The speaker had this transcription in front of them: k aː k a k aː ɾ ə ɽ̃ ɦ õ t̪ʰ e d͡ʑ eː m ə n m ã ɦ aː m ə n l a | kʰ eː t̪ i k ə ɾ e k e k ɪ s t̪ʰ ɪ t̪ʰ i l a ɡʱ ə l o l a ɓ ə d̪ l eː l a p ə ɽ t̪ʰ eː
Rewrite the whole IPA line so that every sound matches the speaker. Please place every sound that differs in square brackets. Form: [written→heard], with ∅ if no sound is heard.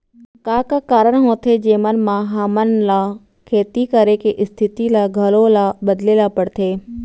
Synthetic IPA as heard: k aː k a k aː ɾ ə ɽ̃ ɦ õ t̪ʰ e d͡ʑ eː m ə n m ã ɦ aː m ə n l a | kʰ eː t̪ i k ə ɾ e k e [k→ʔ] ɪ s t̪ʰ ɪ [t̪ʰ→t̪] i l a ɡʱ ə l o l a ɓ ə d̪ l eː l a p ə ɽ t̪ʰ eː

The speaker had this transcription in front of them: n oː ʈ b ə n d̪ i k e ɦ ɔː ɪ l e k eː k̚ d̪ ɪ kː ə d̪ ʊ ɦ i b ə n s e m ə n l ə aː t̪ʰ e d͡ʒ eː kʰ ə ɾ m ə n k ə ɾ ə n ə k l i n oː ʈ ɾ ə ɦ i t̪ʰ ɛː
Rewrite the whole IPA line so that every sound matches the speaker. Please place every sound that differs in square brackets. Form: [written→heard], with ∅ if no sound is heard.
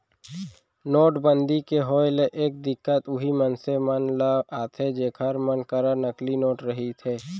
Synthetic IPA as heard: n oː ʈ b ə n d̪ i k e ɦ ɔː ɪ l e [k→ʔ] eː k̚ d̪ ɪ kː ə [d̪→t̪] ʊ ɦ i [b→m] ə n s e m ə n l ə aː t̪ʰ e d͡ʒ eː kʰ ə ɾ m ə n k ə ɾ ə n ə k l i n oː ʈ ɾ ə ɦ i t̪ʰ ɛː

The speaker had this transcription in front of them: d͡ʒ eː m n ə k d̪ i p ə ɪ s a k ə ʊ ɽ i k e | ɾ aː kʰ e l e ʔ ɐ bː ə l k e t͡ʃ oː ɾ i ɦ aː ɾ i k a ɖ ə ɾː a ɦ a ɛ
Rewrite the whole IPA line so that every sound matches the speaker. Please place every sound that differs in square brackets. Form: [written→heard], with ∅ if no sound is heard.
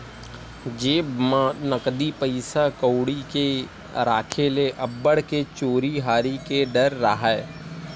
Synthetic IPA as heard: d͡ʒ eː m n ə k d̪ i p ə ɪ s a k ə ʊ ɽ i k e | ɾ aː kʰ e l e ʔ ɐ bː ə [l→ɽ] k e t͡ʃ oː ɾ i ɦ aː ɾ i k [a→e] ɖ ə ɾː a ɦ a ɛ

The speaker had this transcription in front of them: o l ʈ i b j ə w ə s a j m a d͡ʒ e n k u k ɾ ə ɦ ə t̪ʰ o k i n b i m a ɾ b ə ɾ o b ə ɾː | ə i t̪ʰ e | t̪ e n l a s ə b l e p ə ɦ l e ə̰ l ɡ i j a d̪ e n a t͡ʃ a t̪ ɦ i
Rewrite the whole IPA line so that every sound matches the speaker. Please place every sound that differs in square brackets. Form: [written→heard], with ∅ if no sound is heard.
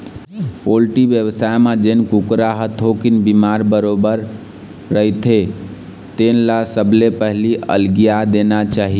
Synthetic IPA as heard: o l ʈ i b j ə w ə s a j m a d͡ʒ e n k u k ɾ [ə→a] ɦ ə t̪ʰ o k i n b i m a ɾ b ə ɾ o b ə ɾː | ə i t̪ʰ e | t̪ e n l a s ə b l e p ə ɦ l [e→i] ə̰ l ɡ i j a d̪ e n a t͡ʃ a [t̪→∅] ɦ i

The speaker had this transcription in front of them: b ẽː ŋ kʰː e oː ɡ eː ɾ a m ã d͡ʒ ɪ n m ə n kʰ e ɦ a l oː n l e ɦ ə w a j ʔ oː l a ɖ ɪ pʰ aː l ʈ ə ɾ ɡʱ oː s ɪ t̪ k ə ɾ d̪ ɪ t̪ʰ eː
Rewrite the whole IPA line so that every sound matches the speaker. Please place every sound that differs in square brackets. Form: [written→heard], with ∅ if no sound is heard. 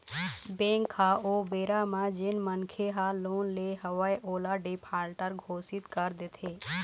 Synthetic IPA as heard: b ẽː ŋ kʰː [e→a] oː [ɡ→b] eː ɾ a m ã d͡ʒ ɪ n m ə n kʰ e ɦ a l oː n l e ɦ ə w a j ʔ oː l a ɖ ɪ pʰ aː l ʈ ə ɾ ɡʱ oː s ɪ t̪ k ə ɾ d̪ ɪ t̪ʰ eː

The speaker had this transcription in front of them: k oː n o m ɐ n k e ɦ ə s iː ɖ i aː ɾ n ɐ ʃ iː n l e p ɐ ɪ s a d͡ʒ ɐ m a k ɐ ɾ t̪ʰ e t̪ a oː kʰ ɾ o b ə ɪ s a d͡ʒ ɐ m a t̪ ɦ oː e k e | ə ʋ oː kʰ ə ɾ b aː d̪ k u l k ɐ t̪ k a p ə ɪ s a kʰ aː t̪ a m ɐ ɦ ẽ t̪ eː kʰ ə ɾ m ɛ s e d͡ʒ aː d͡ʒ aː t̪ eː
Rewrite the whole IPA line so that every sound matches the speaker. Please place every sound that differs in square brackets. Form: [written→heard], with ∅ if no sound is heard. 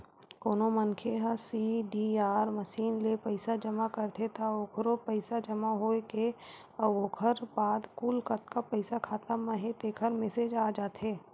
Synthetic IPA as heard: k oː n o m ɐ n [k→kʰ] e ɦ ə s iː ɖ i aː ɾ [n→m] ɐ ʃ iː n l e p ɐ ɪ s a d͡ʒ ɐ m a k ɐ ɾ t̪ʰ e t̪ a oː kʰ ɾ o [b→p] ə ɪ s a d͡ʒ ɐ m a [t̪→∅] ɦ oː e k e | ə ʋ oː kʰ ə ɾ b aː d̪ k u l k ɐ t̪ k a p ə ɪ s a kʰ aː t̪ a m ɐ ɦ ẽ t̪ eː kʰ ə ɾ m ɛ s e d͡ʒ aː d͡ʒ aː t̪ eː

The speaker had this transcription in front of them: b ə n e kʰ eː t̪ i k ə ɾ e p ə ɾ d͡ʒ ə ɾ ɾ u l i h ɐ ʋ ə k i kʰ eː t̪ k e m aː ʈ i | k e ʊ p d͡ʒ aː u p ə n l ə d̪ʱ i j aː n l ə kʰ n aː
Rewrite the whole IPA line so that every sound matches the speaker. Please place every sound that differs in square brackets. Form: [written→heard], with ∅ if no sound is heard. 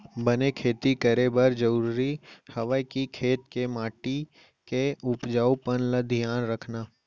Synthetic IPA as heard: b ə n e kʰ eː t̪ i k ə ɾ e [p→b] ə ɾ d͡ʒ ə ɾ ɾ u [l→ɾ] i h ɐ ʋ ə k i kʰ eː t̪ k e m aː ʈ i | k e ʊ p d͡ʒ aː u p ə n l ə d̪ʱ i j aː n [l→ɾ] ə kʰ n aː

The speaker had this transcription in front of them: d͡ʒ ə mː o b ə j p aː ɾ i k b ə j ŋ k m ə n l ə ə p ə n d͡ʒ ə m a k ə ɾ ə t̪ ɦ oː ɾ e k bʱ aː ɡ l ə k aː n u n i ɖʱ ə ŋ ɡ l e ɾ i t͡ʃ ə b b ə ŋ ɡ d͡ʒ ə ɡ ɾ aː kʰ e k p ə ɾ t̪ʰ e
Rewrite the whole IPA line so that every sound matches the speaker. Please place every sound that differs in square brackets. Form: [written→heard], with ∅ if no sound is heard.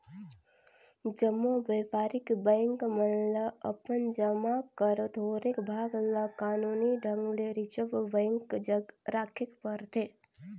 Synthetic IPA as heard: d͡ʒ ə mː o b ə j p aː ɾ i k b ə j ŋ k m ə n l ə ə p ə n d͡ʒ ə m a k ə ɾ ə t̪ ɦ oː ɾ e k bʱ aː ɡ l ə k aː n u n i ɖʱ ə ŋ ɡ l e ɾ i t͡ʃ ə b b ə ŋ [ɡ→k] d͡ʒ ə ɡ ɾ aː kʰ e k p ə ɾ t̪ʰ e

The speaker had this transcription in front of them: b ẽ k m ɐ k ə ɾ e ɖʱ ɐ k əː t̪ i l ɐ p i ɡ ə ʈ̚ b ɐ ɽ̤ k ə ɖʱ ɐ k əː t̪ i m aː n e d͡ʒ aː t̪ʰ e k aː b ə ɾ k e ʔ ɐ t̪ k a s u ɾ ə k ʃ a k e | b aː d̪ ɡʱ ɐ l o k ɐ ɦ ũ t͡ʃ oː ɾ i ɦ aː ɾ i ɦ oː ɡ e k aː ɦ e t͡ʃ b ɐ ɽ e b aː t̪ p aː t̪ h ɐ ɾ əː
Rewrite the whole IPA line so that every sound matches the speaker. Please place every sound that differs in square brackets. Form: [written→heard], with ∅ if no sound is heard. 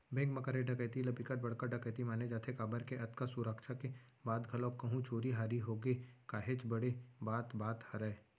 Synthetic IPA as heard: b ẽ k m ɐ k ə ɾ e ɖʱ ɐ k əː t̪ i l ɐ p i [ɡ→k] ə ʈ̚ b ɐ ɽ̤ k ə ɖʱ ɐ k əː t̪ i m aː n e d͡ʒ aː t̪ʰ e k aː b ə ɾ k e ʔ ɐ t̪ k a s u ɾ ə k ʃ a k e | b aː d̪ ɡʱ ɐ l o k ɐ ɦ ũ t͡ʃ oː ɾ i ɦ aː ɾ i ɦ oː ɡ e k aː ɦ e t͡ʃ b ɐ ɽ e b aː t̪ [p→b] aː t̪ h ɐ ɾ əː

